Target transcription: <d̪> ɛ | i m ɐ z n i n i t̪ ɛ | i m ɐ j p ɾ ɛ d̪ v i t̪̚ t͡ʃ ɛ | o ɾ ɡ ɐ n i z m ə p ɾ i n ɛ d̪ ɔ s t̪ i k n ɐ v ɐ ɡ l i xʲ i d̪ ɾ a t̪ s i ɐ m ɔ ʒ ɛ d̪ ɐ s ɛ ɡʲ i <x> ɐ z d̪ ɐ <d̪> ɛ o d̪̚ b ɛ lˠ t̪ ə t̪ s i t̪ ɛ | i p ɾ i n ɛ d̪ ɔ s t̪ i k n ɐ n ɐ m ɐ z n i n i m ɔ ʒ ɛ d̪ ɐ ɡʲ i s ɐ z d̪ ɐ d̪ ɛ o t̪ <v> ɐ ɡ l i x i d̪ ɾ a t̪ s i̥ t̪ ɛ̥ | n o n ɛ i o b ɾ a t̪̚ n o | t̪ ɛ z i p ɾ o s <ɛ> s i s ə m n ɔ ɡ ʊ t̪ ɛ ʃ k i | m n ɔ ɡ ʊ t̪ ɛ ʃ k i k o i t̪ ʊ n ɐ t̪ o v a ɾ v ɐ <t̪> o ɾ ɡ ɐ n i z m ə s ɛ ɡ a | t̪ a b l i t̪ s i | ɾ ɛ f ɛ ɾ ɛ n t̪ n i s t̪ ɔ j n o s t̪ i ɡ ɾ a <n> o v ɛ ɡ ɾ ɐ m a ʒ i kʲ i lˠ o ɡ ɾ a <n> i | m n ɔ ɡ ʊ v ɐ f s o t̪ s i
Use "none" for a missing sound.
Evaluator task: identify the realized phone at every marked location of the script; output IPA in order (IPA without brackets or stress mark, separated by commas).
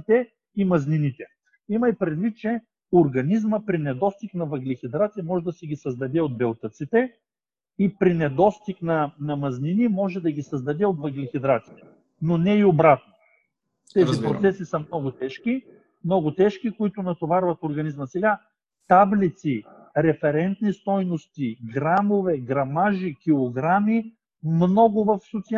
t̪, s, d̪, v, ɛ, t̪, m, m